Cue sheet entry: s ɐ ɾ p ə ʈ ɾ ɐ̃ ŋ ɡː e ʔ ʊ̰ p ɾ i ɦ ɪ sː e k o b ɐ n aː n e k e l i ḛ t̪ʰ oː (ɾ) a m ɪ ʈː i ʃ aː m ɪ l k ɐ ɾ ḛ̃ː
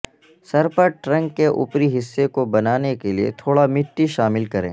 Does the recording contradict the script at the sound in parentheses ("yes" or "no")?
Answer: yes